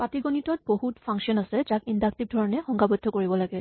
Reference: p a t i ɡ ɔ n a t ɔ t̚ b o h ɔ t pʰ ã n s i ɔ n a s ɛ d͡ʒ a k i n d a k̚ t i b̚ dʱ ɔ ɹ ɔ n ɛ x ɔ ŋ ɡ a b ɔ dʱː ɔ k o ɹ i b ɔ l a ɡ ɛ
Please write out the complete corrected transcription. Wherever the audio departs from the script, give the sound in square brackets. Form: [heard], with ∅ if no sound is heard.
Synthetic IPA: p a t i ɡ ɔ n [i] t ɔ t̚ b o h [u] t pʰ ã [ŋ] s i ɔ n a s ɛ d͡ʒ a k i n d a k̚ t i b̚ dʱ ɔ ɹ ɔ n ɛ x ɔ ŋ ɡ a b ɔ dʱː ɔ k o ɹ i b ɔ l a ɡ ɛ